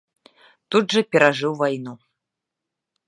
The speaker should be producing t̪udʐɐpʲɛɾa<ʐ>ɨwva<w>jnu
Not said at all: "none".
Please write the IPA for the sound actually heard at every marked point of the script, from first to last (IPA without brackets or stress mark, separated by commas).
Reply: ʐ, none